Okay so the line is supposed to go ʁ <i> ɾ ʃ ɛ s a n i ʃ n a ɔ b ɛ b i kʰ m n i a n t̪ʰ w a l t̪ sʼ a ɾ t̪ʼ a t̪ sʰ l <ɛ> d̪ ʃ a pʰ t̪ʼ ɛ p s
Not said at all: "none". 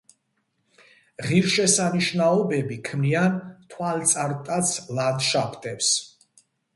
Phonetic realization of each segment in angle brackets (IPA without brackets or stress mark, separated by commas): i, a